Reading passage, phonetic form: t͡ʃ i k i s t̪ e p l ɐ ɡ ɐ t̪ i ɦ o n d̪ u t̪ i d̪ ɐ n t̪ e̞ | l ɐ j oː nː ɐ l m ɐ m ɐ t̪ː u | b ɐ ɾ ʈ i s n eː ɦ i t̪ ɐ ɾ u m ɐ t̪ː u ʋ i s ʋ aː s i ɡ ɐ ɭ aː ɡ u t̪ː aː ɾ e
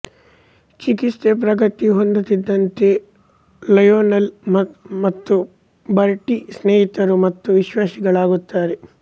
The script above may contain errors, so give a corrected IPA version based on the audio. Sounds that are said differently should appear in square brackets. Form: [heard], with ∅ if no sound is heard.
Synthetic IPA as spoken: t͡ʃ i k i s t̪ e p [ɾ] ɐ ɡ ɐ t̪ i ɦ o n d̪ u t̪ i [d̪ː] ɐ n t̪ e̞ | l ɐ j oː [n] ɐ l m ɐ m ɐ t̪ː u | b ɐ ɾ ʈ i s n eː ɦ i t̪ ɐ ɾ u m ɐ t̪ː u ʋ i [ʃ] ʋ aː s i ɡ ɐ ɭ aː ɡ u t̪ː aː ɾ e

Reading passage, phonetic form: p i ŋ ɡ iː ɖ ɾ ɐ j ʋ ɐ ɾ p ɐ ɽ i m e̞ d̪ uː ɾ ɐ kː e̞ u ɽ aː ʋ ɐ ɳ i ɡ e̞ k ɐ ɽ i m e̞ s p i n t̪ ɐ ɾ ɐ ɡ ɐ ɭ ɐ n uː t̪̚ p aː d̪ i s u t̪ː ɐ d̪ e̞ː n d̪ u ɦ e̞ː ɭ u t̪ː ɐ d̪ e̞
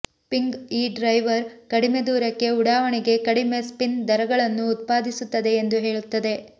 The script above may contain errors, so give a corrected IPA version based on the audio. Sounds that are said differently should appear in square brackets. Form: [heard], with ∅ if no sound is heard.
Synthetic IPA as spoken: p i ŋ ɡ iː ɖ ɾ ɐ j ʋ ɐ ɾ [k] ɐ ɽ i m e̞ d̪ uː ɾ ɐ kː e̞ u ɽ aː ʋ ɐ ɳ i ɡ e̞ k ɐ ɽ i m e̞ s p i n [d̪] ɐ ɾ ɐ ɡ ɐ ɭ ɐ [nː] uː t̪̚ p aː d̪ i s u t̪ː ɐ d̪ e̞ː n d̪ u ɦ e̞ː ɭ u t̪ː ɐ d̪ e̞

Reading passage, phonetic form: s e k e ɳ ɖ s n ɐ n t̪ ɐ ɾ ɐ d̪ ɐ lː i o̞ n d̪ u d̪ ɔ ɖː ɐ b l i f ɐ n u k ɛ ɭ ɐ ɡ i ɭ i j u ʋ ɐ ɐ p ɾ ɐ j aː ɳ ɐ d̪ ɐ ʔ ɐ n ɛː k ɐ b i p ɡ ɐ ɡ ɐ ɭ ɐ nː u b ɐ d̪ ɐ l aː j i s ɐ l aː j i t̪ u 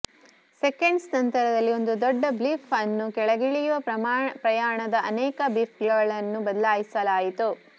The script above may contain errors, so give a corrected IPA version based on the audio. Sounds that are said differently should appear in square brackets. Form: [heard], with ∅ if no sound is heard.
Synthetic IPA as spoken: s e k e ɳ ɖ s n ɐ n t̪ ɐ ɾ ɐ d̪ ɐ lː i o̞ n d̪ u d̪ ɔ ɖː ɐ b l i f ɐ [nː] u k ɛ ɭ ɐ ɡ i ɭ i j u ʋ ɐ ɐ p ɾ ɐ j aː ɳ ɐ d̪ ɐ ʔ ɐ n ɛː k ɐ b i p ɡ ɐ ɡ ɐ ɭ ɐ nː u b ɐ d̪ ɐ l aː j i s ɐ l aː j i t̪ u

